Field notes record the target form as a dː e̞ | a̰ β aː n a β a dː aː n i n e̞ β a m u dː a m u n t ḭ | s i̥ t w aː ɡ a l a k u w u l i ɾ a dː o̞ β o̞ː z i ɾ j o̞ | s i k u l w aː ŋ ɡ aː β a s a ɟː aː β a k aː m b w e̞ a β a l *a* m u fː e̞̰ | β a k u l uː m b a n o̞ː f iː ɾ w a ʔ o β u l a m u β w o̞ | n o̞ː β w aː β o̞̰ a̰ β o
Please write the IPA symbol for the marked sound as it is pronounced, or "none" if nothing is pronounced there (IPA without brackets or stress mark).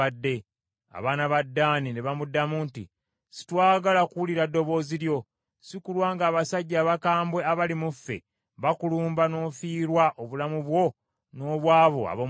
i